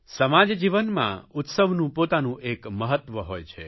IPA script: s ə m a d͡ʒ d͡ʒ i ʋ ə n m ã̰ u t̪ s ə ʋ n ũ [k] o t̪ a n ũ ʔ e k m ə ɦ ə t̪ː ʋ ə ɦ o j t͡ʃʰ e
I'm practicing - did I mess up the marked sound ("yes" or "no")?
yes